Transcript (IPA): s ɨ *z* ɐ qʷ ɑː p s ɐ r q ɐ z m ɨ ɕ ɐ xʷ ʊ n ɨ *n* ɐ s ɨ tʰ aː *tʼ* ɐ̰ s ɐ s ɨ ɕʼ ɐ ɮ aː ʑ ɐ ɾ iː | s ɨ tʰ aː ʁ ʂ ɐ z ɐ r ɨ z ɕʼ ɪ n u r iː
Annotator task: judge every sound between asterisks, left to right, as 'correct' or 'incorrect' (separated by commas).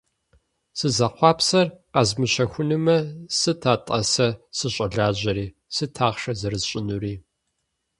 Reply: correct, incorrect, correct